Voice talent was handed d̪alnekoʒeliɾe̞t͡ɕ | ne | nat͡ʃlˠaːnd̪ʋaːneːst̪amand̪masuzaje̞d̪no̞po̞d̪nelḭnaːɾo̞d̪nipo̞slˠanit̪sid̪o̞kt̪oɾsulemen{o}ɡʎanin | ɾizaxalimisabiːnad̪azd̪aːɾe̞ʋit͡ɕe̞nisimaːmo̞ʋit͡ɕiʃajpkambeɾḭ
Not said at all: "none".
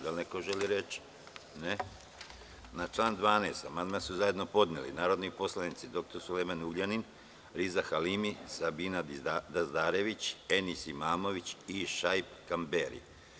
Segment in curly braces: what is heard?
u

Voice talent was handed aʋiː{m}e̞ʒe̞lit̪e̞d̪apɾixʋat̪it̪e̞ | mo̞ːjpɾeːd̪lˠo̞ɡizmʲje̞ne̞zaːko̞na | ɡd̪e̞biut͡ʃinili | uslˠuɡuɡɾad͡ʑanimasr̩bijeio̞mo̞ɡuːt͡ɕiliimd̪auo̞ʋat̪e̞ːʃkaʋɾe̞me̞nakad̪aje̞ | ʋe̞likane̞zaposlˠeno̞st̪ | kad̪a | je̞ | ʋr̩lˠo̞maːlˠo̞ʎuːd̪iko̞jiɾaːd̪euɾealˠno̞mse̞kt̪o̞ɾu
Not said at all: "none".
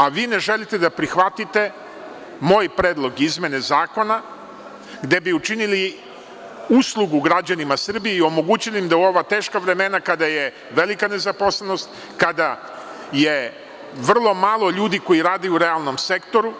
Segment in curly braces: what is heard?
n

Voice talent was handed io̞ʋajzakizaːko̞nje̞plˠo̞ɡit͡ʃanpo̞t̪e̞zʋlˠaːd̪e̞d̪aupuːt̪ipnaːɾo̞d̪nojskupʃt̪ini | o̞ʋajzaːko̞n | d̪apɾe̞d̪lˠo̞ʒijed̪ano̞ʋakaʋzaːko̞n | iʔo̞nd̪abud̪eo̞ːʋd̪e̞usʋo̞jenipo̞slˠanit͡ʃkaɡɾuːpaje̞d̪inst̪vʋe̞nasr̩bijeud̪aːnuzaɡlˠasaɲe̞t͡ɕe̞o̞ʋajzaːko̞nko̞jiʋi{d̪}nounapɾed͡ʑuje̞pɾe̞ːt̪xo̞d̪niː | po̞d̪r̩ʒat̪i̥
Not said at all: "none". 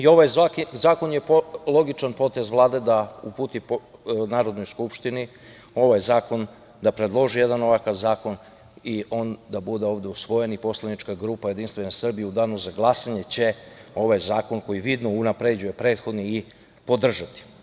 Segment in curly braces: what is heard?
d̪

